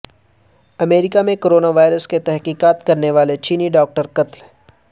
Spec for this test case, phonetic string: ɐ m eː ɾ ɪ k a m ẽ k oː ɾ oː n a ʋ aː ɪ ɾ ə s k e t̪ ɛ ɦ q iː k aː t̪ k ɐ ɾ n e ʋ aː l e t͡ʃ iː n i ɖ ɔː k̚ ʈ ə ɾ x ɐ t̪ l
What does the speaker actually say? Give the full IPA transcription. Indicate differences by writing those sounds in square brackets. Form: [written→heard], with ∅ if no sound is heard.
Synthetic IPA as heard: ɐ m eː ɾ ɪ k a m ẽ k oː ɾ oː n a ʋ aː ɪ ɾ ə s k e t̪ ɛ ɦ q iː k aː t̪ k ɐ ɾ n e ʋ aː l e t͡ʃ iː n i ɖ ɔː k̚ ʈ ə ɾ [x→k] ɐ t̪ l